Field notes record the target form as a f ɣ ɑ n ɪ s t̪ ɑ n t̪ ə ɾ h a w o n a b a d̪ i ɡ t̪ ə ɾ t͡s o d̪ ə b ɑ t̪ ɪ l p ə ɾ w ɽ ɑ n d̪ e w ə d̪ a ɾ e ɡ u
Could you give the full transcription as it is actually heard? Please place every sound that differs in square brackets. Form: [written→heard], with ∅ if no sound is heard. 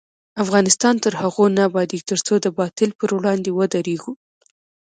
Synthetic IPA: a f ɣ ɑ n ɪ s t̪ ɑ n t̪ ə ɾ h a [w→ɣ] o n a b [a→ɑ] d̪ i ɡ t̪ ə ɾ t͡s o d̪ ə b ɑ t̪ ɪ l p ə ɾ w ɽ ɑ n d̪ e w ə d̪ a ɾ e ɡ u